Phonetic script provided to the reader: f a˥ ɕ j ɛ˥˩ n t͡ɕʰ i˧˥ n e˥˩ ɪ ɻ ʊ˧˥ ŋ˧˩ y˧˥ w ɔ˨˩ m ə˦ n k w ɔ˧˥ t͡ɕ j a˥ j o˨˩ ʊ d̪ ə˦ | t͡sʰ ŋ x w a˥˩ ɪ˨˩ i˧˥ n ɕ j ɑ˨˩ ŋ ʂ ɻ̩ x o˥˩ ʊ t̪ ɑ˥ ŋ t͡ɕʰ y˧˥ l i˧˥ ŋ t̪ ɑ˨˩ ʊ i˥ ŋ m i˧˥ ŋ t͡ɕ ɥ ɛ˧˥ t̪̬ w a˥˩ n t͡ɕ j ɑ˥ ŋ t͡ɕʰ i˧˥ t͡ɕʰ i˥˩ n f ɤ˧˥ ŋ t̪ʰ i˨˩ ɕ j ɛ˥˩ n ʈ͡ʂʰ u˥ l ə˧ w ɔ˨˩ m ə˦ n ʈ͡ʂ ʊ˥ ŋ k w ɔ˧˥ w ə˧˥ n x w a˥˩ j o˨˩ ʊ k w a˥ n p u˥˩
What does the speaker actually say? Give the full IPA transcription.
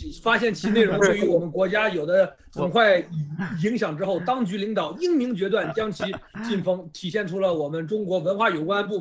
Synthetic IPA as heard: f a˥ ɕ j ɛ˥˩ n t͡ɕʰ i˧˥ n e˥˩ ɪ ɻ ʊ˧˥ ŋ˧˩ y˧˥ w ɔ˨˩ m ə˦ n k w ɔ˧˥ t͡ɕ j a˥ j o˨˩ ʊ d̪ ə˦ | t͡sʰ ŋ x w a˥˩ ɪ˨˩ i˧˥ ŋ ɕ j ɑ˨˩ ŋ ʈ͡ʂ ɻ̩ x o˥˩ ʊ t̪ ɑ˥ ŋ t͡ɕ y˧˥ l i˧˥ ŋ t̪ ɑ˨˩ ʊ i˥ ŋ m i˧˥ ŋ t͡ɕ ɥ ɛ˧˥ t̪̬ w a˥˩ n t͡ɕ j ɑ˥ ŋ t͡ɕʰ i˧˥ t͡ɕ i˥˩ n f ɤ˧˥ ŋ t̪ʰ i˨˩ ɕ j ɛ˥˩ n ʈ͡ʂʰ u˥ l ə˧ w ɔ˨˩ m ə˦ n ʈ͡ʂ ʊ˥ ŋ k w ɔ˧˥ w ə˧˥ n x w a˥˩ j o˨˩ ʊ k w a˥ n p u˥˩